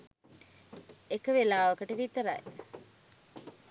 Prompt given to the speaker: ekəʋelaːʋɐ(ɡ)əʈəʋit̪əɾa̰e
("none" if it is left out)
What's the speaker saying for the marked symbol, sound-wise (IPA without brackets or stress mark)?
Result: k